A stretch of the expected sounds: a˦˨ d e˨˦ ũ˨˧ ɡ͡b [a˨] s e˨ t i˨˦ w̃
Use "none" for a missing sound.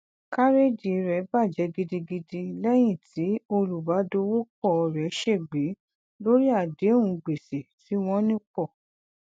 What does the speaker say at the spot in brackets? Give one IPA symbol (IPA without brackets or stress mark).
e˨